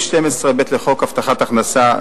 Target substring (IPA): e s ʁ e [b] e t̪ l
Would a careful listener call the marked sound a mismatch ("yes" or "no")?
no